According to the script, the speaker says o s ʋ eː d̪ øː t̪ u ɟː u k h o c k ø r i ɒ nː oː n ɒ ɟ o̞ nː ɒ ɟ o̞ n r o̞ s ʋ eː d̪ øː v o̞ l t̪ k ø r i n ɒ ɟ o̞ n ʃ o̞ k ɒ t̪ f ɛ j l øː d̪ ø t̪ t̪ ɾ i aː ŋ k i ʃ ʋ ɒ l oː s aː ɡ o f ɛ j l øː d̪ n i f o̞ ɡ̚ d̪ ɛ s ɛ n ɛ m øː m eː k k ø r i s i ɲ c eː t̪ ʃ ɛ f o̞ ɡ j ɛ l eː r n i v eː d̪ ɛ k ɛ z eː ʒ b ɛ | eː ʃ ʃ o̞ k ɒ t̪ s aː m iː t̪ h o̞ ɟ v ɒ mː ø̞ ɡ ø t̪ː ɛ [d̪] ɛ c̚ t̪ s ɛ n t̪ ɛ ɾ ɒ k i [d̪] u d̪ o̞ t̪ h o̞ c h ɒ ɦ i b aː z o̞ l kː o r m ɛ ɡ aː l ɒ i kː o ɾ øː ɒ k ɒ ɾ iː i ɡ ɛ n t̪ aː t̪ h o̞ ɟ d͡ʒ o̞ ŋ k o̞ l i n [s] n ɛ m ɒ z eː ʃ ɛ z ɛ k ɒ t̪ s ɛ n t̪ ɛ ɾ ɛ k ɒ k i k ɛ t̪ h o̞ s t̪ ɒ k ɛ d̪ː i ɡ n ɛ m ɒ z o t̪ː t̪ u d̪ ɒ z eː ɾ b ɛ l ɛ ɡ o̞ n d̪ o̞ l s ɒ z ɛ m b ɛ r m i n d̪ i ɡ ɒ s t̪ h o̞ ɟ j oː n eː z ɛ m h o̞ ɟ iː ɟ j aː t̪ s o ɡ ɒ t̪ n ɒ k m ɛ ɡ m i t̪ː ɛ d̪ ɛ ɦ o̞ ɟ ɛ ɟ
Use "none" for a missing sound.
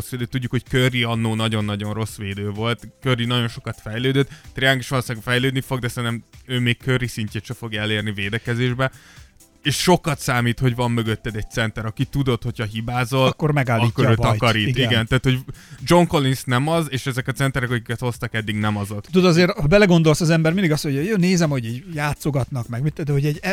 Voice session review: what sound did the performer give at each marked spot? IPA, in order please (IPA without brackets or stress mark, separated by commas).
d̪, t̪, s